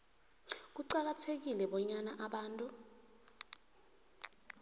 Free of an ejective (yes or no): no